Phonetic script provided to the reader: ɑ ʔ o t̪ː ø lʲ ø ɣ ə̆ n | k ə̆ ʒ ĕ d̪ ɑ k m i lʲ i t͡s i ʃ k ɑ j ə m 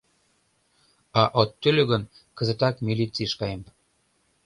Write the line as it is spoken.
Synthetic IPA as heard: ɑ ʔ o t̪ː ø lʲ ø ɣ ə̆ n | k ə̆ z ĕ t̪ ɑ k m i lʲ i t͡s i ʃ k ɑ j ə m